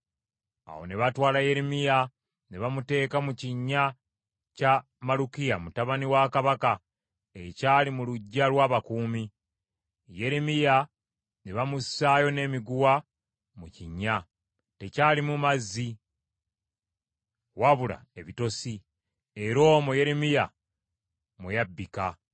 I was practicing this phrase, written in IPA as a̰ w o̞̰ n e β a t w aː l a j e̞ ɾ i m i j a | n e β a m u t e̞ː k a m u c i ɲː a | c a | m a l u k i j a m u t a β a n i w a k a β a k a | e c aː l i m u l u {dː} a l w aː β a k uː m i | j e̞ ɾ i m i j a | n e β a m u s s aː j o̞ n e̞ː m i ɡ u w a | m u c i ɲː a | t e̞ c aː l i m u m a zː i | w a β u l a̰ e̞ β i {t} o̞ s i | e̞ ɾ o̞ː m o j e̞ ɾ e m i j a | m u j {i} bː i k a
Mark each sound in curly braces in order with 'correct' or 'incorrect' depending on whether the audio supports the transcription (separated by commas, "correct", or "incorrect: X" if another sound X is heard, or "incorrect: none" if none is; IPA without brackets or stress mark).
incorrect: ɟː, correct, incorrect: a